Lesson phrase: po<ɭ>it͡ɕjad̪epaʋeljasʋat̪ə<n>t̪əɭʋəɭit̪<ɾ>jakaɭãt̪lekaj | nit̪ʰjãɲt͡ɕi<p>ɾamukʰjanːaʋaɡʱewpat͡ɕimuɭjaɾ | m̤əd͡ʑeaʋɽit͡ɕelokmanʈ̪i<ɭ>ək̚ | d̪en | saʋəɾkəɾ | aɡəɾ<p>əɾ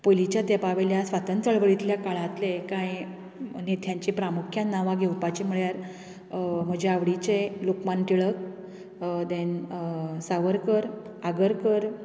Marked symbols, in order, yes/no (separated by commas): no, yes, no, yes, yes, no